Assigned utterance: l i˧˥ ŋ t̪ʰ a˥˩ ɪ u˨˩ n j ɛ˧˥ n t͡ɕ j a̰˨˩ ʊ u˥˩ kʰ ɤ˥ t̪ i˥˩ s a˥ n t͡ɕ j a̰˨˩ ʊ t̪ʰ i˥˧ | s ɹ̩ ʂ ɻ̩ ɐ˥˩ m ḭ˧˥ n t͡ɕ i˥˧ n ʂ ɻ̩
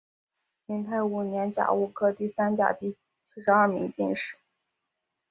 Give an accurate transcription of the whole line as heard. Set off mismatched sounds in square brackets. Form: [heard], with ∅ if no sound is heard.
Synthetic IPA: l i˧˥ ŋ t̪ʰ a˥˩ ɪ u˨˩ n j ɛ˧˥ n t͡ɕ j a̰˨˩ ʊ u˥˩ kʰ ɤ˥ t̪ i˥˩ s a˥ n t͡ɕ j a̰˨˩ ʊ [t̪] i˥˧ | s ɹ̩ ʂ ɻ̩ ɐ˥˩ m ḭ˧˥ [ŋ] t͡ɕ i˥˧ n ʂ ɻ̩

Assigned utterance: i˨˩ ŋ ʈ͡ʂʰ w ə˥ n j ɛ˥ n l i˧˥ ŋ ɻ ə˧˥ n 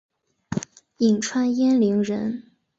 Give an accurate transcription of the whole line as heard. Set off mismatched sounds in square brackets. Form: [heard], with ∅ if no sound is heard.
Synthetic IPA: i˨˩ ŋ ʈ͡ʂʰ w [a˥] n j ɛ˥ n l i˧˥ ŋ ɻ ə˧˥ n

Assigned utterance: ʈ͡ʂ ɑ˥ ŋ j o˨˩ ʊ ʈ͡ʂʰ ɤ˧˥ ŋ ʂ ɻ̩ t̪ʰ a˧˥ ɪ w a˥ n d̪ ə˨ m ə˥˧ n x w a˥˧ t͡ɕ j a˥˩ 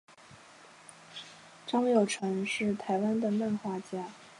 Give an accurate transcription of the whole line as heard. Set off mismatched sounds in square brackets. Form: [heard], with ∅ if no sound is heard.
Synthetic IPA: ʈ͡ʂ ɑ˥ ŋ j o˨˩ ʊ ʈ͡ʂʰ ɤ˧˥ ŋ ʂ ɻ̩ t̪ʰ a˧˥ ɪ w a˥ n d̪ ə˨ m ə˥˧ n x w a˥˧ t͡ɕ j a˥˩

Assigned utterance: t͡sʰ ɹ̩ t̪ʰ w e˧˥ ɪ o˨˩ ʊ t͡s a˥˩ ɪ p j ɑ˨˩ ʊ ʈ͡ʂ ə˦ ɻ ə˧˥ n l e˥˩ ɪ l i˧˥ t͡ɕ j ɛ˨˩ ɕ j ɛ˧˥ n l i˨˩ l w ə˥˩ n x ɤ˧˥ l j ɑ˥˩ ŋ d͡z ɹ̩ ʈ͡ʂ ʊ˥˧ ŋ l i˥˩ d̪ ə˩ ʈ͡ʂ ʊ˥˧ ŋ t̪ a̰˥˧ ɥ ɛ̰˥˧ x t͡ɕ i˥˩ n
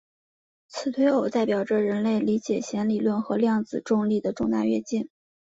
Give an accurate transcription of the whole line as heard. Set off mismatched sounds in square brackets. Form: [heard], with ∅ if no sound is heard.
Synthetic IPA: t͡sʰ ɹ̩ t̪ʰ w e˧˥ ɪ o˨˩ ʊ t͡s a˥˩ ɪ p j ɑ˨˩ ʊ ʈ͡ʂ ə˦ ɻ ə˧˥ n l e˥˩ ɪ l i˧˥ t͡ɕ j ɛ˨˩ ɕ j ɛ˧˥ n l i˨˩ l w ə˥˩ n x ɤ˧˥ l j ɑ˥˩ ŋ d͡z ɹ̩ ʈ͡ʂ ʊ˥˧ ŋ l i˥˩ d̪ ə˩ ʈ͡ʂ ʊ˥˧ ŋ t̪ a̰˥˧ ɥ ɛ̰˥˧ [∅] t͡ɕ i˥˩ n

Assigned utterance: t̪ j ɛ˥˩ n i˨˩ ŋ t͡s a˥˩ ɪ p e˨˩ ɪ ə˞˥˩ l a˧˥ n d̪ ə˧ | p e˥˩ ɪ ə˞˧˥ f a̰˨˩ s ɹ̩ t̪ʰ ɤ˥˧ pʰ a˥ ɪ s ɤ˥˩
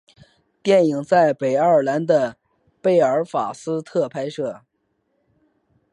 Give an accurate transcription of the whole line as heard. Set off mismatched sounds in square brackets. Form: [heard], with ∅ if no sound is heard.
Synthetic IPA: t̪ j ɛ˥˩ n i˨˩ ŋ t͡s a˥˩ ɪ p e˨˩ ɪ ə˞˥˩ l a˧˥ n d̪ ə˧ | p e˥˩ ɪ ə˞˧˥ f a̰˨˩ s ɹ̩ t̪ʰ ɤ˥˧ pʰ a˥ ɪ [ʂ] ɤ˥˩

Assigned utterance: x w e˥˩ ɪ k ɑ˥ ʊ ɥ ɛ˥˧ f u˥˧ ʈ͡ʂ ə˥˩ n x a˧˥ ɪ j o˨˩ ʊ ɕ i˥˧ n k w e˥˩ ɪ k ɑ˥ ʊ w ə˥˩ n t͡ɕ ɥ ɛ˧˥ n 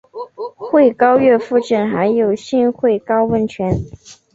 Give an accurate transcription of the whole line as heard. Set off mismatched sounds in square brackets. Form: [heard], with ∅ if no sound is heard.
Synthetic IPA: x w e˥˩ ɪ k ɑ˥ ʊ ɥ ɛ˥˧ f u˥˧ ʈ͡ʂ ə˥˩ n x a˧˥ ɪ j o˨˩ ʊ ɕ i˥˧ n [x] w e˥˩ ɪ k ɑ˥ ʊ w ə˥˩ n [t͡ɕʰ] ɥ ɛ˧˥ n

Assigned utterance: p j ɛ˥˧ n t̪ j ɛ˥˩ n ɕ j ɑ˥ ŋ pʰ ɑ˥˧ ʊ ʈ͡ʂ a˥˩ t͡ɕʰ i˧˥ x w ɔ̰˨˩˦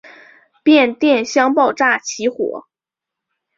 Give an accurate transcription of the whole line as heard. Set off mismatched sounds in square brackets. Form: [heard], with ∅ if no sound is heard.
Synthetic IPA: p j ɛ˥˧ n t̪ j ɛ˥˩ n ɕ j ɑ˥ ŋ [p] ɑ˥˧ ʊ ʈ͡ʂ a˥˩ t͡ɕʰ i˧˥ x w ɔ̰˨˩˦

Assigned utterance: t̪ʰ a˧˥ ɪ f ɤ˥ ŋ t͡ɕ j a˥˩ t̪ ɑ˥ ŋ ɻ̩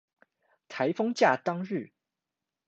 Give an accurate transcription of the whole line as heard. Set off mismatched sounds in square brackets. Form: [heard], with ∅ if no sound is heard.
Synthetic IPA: t̪ʰ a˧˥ ɪ f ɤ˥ ŋ t͡ɕ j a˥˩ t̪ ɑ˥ ŋ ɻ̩

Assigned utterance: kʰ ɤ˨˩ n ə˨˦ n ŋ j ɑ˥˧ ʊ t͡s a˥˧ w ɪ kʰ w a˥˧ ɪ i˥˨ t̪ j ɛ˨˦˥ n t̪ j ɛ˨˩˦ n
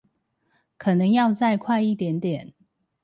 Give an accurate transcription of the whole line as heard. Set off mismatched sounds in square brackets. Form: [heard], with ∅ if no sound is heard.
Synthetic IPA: kʰ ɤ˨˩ n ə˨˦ [∅] ŋ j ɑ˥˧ ʊ t͡s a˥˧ [∅] ɪ kʰ w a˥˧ ɪ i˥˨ t̪ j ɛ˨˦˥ n t̪ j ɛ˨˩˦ n

